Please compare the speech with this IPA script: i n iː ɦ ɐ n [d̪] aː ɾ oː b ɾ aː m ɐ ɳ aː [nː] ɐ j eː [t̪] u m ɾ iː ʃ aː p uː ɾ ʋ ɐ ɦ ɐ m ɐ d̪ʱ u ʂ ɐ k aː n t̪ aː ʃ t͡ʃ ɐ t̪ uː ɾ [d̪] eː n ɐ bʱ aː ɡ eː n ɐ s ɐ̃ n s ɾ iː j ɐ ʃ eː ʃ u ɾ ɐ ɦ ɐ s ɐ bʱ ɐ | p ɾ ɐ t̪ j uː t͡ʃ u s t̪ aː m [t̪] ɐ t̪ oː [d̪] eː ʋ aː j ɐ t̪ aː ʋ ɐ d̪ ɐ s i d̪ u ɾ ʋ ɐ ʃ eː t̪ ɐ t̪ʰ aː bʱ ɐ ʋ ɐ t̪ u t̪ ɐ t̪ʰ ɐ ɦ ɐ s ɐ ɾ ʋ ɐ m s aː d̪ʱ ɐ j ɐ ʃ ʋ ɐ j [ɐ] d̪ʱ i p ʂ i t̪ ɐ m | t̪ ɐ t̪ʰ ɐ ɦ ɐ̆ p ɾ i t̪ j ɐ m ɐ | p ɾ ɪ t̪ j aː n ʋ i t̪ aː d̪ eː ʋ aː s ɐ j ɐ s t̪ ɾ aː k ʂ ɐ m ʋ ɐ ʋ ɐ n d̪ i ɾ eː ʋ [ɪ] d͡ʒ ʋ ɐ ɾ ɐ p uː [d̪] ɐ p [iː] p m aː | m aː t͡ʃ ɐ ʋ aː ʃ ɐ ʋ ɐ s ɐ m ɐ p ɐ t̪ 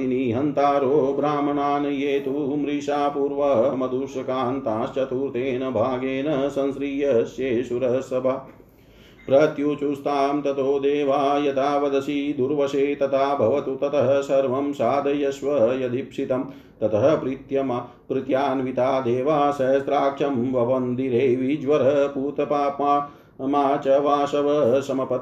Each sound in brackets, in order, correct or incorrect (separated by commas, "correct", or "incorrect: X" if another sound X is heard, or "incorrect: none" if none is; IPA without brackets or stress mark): incorrect: t̪, incorrect: n, correct, incorrect: t̪, correct, correct, correct, incorrect: i, incorrect: t̪, incorrect: aː